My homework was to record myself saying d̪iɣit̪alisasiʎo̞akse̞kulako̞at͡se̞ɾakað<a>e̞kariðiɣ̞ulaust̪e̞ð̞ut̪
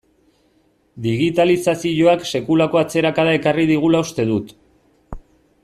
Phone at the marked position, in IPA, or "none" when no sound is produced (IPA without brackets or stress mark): a